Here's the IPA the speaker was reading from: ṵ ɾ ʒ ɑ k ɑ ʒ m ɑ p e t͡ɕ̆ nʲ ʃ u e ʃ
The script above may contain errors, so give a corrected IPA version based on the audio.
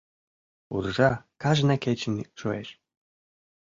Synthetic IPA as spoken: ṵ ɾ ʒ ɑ k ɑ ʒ n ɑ k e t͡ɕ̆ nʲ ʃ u e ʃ